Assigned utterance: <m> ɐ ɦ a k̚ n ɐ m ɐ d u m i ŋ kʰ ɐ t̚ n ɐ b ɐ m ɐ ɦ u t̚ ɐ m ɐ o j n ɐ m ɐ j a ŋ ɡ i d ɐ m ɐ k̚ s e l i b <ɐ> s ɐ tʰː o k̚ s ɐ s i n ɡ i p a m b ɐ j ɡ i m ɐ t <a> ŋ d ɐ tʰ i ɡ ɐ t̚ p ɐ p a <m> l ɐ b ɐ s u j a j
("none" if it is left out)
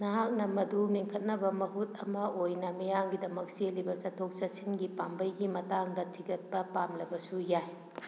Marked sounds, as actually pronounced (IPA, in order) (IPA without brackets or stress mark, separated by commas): n, ɐ, a, m